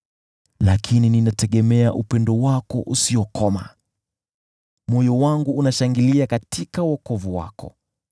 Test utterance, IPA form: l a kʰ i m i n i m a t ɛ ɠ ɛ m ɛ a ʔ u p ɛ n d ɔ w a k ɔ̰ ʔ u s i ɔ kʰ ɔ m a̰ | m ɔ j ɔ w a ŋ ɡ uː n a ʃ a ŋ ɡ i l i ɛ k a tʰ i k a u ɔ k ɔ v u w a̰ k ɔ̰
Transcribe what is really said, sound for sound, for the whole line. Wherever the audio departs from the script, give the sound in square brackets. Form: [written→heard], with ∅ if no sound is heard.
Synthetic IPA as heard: l a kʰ i [m→n] i n i [m→n] a t ɛ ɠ ɛ m ɛ a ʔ u p ɛ n d ɔ w a k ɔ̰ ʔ u s i ɔ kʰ ɔ m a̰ | m ɔ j ɔ w a ŋ ɡ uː n a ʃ a ŋ ɡ i l i [ɛ→a] k a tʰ i k a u ɔ k ɔ v u w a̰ k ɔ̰